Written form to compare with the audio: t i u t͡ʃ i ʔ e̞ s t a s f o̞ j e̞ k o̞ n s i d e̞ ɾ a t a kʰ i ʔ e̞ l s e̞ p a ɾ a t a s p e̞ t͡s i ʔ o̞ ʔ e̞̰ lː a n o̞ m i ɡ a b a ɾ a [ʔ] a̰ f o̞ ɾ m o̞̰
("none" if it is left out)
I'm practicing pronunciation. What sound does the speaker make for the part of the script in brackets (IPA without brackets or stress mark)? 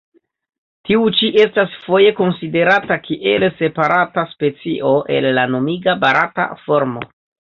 t